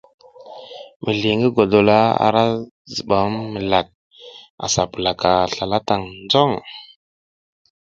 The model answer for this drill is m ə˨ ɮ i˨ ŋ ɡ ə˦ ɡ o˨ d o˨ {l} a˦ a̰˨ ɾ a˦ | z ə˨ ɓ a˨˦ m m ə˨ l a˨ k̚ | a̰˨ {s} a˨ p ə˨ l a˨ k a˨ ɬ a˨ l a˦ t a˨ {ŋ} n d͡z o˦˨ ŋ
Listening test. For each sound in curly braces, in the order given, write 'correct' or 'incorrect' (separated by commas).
correct, correct, correct